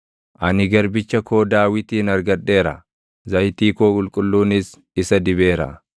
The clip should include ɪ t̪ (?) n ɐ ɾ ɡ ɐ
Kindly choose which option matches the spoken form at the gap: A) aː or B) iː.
B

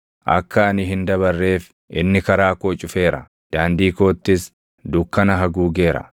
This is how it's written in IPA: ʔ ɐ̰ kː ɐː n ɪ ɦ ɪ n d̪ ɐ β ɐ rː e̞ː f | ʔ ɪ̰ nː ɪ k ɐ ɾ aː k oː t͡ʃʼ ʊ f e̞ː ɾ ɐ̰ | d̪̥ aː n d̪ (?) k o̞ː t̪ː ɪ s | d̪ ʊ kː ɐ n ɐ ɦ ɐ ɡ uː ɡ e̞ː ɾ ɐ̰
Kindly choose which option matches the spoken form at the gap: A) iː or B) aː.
A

